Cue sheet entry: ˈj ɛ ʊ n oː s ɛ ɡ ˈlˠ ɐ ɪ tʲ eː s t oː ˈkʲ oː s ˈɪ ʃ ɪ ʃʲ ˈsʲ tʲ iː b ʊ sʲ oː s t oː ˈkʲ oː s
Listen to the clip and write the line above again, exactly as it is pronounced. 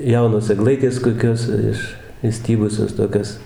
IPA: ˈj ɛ ʊ n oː s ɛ ɡ ˈlˠ ɐ ɪ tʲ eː s k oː ˈkʲ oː s ˈɪ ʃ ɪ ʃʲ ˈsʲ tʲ iː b ʊ sʲ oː s t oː ˈkʲ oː s